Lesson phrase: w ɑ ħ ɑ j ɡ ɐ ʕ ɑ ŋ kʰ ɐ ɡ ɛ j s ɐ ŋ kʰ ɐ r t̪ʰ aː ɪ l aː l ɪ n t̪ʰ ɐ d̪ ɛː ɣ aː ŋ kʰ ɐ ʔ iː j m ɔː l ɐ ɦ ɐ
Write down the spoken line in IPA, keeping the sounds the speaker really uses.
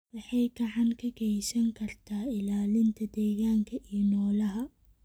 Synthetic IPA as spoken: w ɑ ħ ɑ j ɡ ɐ ʕ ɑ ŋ kʰ ɐ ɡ ɛ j s ɐ ŋ kʰ ɐ r t̪ʰ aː ɪ l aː l ɪ n t̪ʰ ɐ d̪ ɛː ɣ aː ŋ kʰ ɐ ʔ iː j n ɔː l ɐ ɦ ɐ